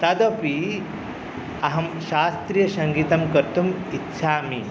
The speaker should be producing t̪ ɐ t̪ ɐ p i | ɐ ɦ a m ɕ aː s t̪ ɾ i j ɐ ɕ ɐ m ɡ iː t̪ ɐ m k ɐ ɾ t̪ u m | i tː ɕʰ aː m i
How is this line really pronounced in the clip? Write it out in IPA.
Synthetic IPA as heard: t̪ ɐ d̪ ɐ p i | ɐ ɦ ɐ m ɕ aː s t̪ ɾ i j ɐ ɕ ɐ ŋ ɡ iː t̪ ɐ m k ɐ ɾ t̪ u m | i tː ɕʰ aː m i